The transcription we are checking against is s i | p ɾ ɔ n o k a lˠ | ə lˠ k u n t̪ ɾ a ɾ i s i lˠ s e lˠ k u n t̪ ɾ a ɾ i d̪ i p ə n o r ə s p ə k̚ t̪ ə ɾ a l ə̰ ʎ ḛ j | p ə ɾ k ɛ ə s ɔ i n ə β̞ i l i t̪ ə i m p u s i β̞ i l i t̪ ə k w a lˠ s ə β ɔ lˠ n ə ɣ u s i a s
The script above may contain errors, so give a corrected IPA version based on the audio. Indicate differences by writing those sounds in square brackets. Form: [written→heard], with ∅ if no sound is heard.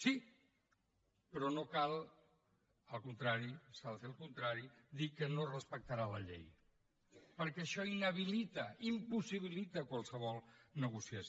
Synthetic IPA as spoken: s i | p ɾ ɔ n o k a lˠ | ə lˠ k u n t̪ ɾ a ɾ i s [i→a] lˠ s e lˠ k u n t̪ ɾ a ɾ i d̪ i [p→k] ə n o r ə s p ə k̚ t̪ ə ɾ a l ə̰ ʎ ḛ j | p ə ɾ k ɛ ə [s→ʃ] ɔ i n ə β̞ i l i t̪ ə i m p u s i β̞ i l i t̪ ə k w a lˠ s ə β ɔ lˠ n ə ɣ u s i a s

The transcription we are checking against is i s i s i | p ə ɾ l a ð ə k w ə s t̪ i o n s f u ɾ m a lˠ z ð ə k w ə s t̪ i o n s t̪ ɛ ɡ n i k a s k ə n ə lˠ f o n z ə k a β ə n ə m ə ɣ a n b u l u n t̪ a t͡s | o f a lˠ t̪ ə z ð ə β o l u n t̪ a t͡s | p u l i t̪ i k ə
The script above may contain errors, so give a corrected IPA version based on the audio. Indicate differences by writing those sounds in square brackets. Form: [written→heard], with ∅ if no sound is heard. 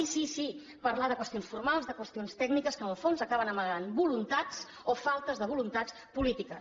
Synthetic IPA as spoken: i s i s i | p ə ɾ l a ð ə k w ə s t̪ i o n s f u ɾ m a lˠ z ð ə k w ə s t̪ i o n s t̪ ɛ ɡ n i k [a→ə] s k ə n ə lˠ f o n z ə k a β ə n ə m ə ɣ a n b u l u n t̪ a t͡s | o f a lˠ t̪ ə z ð ə β [o→u] l u n t̪ a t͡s | p u l i t̪ i k ə

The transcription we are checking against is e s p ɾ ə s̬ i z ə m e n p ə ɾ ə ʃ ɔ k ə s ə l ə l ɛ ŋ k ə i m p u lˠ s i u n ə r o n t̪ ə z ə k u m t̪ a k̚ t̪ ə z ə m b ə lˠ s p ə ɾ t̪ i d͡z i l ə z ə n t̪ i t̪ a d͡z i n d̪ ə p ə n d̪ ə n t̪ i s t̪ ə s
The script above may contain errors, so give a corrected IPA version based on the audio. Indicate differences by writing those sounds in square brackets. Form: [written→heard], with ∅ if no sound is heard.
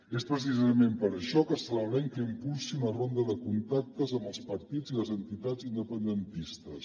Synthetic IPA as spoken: e s p ɾ ə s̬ i z ə m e [n→m] p ə ɾ ə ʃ ɔ k ə s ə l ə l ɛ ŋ k ə i m p u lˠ s i u n ə r o n [t̪→d̪] ə [z→ð] ə k u [m→n] t̪ a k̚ t̪ ə z ə m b ə lˠ s p ə ɾ t̪ i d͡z i l ə z ə n t̪ i t̪ a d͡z i n d̪ ə p ə n d̪ ə n t̪ i s t̪ ə s

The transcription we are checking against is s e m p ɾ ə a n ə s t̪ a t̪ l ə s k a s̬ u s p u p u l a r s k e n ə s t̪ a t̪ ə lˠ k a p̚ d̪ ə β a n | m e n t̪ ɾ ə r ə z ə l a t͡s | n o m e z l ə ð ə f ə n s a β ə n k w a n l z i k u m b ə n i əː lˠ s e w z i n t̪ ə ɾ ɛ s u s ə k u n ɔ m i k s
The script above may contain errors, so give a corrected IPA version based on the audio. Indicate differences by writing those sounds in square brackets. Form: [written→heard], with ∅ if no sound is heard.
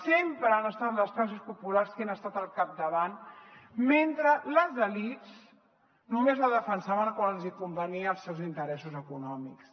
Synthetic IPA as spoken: s e m p ɾ ə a n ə s t̪ a t̪ l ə s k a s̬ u s p u p u l a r s k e n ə s t̪ a t̪ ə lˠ k a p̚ d̪ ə β a n | m e n t̪ ɾ ə [r→l] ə z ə l [a→i] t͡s | n [o→u] m e z l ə ð ə f ə n s a β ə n k w a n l z i k u m b ə n i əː lˠ s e w z i n t̪ ə ɾ ɛ s u [s→z] ə k u n ɔ m i k s

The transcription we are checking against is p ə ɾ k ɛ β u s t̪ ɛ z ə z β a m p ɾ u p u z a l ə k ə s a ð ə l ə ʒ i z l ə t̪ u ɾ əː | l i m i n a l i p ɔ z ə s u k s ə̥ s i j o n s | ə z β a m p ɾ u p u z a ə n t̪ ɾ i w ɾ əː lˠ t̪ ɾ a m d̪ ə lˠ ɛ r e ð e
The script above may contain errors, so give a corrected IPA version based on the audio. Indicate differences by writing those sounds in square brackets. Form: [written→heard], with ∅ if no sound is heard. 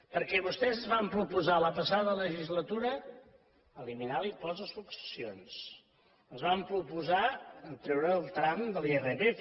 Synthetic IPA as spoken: p ə ɾ k ɛ β u s t̪ ɛ z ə z β a m p ɾ u p u z a l ə [k→p] ə s a ð ə l ə ʒ i z l ə t̪ u ɾ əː | l i m i n a l i p ɔ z ə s u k s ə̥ s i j o n s | ə z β a m p ɾ u p u z a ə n t̪ ɾ [i→ɛ] w ɾ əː lˠ t̪ ɾ a m d̪ ə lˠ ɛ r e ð e

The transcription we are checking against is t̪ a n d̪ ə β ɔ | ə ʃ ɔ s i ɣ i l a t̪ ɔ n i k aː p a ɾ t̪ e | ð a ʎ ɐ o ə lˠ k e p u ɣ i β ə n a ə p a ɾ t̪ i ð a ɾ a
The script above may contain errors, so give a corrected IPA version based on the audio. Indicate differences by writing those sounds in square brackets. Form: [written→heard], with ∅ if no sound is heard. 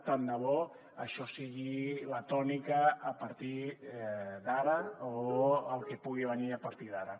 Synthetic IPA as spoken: t̪ a n d̪ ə β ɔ | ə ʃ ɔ s i ɣ i l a t̪ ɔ n i k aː p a ɾ t̪ [e→i] | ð a [ʎ→ɾ] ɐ o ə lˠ k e p u ɣ i β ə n [a→i] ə p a ɾ t̪ i ð a ɾ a

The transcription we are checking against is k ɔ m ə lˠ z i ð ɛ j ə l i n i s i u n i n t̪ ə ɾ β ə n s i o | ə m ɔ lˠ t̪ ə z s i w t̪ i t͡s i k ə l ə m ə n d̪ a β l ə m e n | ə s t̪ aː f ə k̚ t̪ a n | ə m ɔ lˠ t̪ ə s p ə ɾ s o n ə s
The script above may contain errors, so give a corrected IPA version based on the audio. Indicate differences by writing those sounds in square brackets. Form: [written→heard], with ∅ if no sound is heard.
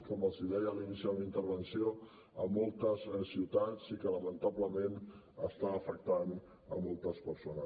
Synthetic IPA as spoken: k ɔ m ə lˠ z i ð ɛ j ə l i n i s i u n i n t̪ ə ɾ β ə n s i o | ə m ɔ lˠ t̪ ə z s i w t̪ [i→a] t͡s i k ə l ə m ə n [d̪→t̪] a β l ə m e n | ə s t̪ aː f ə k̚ t̪ a n | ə m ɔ lˠ t̪ ə s p ə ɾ s o n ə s

